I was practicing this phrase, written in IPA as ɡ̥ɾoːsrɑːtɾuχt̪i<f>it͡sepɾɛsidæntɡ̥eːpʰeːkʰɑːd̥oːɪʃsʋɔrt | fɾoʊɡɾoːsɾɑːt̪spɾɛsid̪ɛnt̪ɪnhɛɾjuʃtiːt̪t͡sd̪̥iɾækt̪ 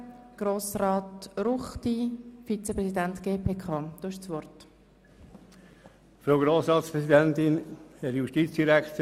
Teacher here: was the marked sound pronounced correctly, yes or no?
yes